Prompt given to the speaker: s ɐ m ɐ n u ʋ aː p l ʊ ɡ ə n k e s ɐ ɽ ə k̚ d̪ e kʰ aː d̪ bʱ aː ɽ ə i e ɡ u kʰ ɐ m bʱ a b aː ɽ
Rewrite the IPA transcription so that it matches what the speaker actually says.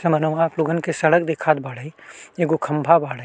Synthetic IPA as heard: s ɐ m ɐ n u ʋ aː p l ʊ ɡ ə n k e s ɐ ɽ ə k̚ d̪ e kʰ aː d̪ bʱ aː ɽ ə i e ɡ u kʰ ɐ m bʱ a b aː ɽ